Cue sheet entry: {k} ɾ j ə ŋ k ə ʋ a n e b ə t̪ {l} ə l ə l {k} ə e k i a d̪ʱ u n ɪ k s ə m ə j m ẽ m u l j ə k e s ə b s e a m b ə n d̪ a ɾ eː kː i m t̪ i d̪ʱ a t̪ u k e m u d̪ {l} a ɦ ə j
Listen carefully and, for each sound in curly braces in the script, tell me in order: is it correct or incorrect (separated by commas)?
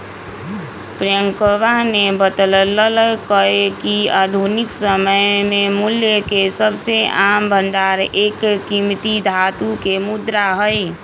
incorrect, correct, correct, incorrect